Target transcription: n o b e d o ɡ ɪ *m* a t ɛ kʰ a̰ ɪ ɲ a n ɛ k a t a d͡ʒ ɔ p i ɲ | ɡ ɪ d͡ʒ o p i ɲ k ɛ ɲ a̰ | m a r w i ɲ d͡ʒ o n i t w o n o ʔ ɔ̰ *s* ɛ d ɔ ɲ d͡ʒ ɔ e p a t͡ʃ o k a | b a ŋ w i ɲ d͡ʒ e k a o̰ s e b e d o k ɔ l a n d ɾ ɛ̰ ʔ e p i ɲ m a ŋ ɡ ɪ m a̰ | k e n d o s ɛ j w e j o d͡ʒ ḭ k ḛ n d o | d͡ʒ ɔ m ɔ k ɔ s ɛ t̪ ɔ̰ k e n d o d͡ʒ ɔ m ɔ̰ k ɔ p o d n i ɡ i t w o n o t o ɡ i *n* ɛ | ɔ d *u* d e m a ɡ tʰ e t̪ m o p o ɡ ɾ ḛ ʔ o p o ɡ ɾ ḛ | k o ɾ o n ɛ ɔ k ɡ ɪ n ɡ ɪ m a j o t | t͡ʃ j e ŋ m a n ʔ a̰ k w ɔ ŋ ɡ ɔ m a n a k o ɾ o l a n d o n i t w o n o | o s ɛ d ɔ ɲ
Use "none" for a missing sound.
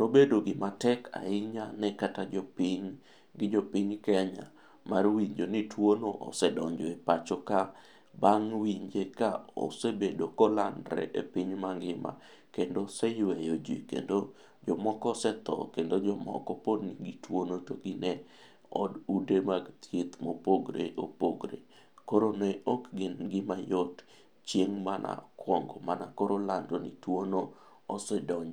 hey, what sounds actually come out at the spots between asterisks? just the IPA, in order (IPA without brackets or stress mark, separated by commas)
m, s, n, u